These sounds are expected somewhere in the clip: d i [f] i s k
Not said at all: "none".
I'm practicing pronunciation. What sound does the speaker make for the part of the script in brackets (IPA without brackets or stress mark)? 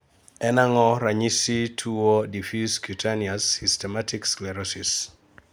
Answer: f